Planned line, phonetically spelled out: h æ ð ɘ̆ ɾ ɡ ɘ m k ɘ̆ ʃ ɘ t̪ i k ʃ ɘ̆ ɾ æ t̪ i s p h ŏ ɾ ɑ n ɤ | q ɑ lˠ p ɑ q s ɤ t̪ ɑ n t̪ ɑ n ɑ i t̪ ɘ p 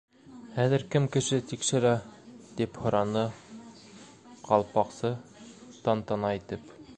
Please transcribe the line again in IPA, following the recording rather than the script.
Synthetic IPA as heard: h æ ð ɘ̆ ɾ k ɘ m k ɘ̆ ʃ ɘ t̪ i k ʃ ɘ̆ ɾ æ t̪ i p h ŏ ɾ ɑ n ɤ | q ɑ lˠ p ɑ q s ɤ t̪ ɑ n t̪ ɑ n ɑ i t̪ ɘ p